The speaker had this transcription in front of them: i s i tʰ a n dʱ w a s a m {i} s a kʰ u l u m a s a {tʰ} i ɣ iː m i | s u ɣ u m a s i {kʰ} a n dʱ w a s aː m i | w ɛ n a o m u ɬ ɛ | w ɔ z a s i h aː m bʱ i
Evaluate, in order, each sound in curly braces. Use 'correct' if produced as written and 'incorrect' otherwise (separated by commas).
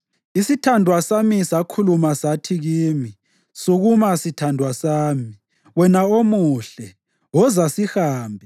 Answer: correct, correct, incorrect